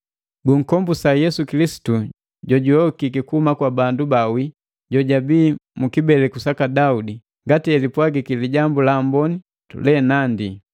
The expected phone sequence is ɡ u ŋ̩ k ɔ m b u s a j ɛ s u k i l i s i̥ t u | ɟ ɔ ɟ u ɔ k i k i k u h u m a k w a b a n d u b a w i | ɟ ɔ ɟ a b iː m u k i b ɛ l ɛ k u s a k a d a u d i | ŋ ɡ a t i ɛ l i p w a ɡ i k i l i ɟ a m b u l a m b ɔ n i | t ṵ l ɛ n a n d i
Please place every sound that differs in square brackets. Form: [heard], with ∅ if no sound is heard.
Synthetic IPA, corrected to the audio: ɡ u ŋ̩ k ɔ m b u s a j ɛ s u k i l i s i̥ t u | ɟ ɔ ɟ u ɔ k i k i k u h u m a k w a b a n d u b a w i | ɟ ɔ ɟ a b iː m u k i b ɛ l ɛ k u s a k a d a u d i | ŋ ɡ a t i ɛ l i p w a ɡ i k i l i ɟ a m b u l a m b ɔ n i | t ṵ l ɛ n a n d i